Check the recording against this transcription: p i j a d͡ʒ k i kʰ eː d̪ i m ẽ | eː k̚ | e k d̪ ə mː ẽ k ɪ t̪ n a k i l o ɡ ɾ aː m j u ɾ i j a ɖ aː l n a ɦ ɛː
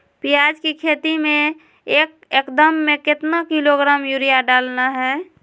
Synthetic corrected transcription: p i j a d͡ʒ k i kʰ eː t̪ i m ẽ | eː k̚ | e k d̪ ə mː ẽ k ɪ t̪ n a k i l o ɡ ɾ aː m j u ɾ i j a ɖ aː l n a ɦ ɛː